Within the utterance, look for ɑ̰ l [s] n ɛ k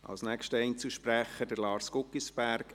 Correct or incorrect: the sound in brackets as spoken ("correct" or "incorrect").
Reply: correct